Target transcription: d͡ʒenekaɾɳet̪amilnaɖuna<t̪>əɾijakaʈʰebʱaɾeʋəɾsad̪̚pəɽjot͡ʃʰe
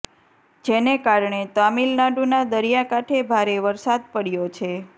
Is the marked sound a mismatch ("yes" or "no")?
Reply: yes